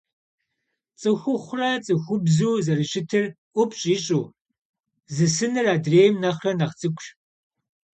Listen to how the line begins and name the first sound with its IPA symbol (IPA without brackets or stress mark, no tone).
t͡sʼ